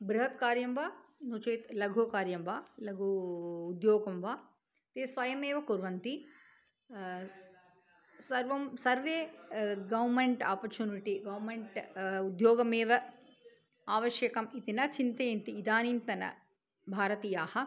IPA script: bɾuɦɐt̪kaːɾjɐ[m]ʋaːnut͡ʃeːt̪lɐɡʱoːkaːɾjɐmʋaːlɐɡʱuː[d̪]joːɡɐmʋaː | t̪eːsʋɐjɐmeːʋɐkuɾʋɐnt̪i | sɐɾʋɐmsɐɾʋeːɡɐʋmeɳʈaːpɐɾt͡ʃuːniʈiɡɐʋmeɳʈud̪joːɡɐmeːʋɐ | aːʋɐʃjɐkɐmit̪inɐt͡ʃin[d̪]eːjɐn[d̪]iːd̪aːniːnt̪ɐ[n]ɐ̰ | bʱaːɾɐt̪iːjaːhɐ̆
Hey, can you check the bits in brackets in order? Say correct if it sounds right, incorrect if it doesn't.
correct, correct, incorrect, incorrect, correct

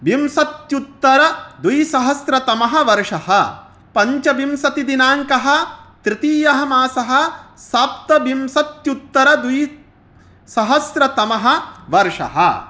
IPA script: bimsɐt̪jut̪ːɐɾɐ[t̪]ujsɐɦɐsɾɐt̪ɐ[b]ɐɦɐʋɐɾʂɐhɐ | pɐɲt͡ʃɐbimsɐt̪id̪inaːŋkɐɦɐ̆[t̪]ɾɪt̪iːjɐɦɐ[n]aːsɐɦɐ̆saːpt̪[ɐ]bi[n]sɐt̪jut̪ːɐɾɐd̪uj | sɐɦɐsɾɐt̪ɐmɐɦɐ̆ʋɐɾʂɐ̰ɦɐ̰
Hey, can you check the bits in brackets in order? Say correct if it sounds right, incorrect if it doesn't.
incorrect, incorrect, correct, incorrect, correct, incorrect

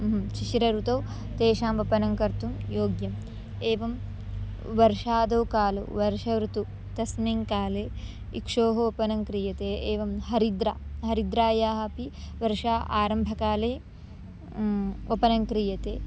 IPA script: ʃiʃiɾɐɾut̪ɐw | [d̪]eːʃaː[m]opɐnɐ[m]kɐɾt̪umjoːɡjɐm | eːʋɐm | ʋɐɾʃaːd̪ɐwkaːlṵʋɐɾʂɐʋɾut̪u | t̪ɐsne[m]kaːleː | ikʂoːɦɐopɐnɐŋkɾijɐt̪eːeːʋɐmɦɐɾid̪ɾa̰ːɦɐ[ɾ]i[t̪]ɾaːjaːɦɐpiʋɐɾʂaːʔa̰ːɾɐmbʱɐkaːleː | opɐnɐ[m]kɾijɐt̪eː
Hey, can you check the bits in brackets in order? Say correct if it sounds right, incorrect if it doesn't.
incorrect, correct, incorrect, incorrect, correct, incorrect, incorrect

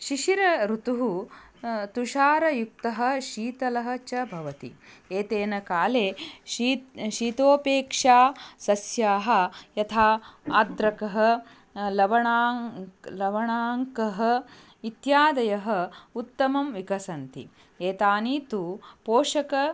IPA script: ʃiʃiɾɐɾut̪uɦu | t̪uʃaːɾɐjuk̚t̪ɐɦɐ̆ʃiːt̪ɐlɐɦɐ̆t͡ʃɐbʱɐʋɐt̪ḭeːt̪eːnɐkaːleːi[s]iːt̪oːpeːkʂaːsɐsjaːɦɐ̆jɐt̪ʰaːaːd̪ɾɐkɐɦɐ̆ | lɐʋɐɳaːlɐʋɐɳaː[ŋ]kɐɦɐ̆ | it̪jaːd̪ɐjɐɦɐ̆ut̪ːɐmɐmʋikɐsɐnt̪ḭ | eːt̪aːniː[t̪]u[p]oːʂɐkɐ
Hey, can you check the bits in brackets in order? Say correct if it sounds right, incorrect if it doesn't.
incorrect, correct, correct, correct

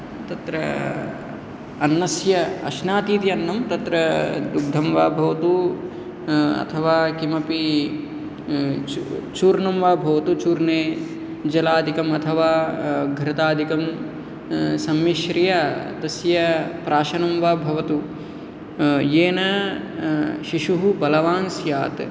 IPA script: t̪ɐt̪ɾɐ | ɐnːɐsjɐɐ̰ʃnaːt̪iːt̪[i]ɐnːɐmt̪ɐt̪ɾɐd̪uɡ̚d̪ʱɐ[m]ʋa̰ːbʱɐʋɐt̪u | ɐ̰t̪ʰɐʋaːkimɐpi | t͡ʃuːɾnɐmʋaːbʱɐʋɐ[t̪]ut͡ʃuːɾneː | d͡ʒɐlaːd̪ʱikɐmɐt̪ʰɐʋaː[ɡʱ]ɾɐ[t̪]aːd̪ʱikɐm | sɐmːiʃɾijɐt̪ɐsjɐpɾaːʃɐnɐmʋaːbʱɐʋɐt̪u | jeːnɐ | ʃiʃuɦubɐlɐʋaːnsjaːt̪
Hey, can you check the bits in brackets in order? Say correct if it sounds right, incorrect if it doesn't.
correct, correct, correct, correct, correct

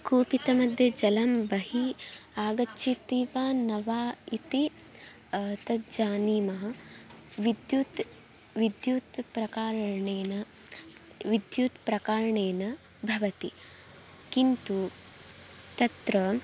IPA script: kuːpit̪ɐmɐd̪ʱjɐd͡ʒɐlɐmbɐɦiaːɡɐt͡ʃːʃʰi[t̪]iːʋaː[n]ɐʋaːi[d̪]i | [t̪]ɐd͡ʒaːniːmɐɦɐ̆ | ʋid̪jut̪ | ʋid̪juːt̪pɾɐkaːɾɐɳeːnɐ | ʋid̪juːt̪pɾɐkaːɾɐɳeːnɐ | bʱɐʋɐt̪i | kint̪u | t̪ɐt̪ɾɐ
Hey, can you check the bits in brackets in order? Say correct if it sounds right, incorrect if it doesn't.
correct, correct, incorrect, correct

